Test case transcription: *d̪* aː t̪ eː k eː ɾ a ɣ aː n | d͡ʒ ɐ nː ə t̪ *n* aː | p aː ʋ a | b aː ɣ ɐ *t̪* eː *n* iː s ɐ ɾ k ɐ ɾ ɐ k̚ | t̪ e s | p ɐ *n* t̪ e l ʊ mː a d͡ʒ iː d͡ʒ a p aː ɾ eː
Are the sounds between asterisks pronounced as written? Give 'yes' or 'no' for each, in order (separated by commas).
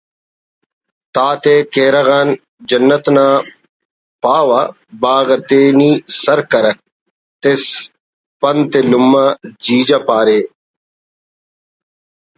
no, yes, yes, yes, yes